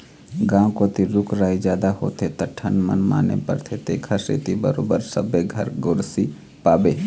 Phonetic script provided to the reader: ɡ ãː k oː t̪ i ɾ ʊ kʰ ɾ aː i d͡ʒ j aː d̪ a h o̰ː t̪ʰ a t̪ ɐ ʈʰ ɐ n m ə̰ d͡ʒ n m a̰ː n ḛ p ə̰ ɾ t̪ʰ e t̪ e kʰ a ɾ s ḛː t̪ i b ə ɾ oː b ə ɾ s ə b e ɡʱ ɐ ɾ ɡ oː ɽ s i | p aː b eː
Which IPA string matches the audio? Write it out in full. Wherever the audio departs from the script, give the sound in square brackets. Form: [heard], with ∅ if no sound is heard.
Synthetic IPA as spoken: ɡ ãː k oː t̪ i ɾ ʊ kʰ ɾ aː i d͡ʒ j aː d̪ a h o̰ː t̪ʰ [e] t̪ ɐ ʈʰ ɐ n m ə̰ [∅] n m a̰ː n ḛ p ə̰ ɾ t̪ʰ e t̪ e kʰ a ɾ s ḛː t̪ i b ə ɾ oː b ə ɾ s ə b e ɡʱ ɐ ɾ ɡ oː [ɾ] s i | p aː b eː